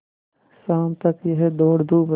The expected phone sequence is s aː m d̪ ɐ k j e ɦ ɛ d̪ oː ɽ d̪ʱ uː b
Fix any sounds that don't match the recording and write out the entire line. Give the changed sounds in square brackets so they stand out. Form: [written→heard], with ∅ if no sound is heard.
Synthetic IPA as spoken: s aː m [d̪→t̪] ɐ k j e ɦ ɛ d̪ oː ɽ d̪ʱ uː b